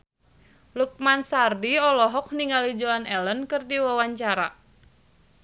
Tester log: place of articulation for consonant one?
alveolar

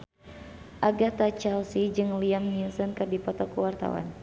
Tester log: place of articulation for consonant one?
glottal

